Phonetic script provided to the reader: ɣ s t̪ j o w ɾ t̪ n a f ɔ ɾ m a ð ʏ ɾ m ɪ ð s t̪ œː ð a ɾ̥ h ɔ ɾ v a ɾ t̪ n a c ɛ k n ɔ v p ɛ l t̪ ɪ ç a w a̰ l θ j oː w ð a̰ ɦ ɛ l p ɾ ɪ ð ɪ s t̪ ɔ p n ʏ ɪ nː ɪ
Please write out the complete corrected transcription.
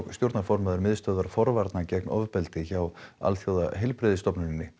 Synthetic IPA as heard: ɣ s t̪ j o w ɾ t̪ n a f ɔ ɾ m a ð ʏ ɾ m ɪ ð s t̪ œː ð a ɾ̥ f ɔ ɾ v a ɾ t̪ n a c ɛ k n ɔ v p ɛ l t̪ ɪ ç a w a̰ l θ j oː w ð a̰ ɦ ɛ l p ɾ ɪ ð ɪ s t̪ ɔ p n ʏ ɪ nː ɪ